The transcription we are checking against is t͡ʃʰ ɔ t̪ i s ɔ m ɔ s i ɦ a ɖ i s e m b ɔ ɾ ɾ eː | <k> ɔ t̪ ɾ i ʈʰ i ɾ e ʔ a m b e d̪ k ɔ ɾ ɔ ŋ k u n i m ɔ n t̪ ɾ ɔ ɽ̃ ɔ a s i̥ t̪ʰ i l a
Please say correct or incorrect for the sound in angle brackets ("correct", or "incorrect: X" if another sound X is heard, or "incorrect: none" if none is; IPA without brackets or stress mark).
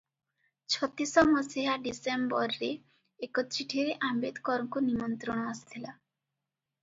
correct